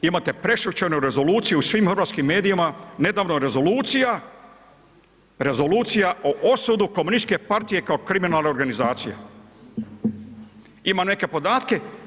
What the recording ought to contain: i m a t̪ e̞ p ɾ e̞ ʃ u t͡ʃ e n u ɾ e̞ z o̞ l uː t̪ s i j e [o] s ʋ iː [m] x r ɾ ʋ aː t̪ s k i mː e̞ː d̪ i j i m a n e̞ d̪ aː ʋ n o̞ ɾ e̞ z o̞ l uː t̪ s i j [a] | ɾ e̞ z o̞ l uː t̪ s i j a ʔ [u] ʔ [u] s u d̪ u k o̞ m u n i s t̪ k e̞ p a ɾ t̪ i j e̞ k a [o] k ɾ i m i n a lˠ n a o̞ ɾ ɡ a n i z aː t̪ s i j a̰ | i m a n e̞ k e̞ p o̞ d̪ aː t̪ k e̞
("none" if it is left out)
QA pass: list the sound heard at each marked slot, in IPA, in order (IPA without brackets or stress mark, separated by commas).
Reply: u, m, a, o, o, o